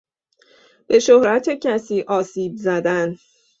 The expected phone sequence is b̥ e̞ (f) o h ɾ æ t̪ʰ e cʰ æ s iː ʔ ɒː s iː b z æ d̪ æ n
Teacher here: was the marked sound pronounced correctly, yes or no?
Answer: no